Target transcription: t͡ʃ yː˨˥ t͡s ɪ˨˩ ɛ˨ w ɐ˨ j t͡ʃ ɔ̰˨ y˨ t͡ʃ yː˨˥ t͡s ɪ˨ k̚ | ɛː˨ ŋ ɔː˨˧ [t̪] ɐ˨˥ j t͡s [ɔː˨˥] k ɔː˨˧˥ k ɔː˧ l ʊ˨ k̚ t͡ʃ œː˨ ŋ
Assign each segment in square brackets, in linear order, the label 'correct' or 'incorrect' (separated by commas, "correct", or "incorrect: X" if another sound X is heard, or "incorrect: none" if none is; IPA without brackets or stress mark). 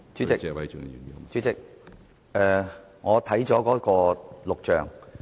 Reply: incorrect: t̪ʰ, correct